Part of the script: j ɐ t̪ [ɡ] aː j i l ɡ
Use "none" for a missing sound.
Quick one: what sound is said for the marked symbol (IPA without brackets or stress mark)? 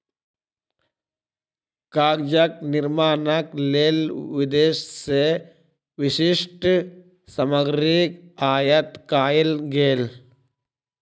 k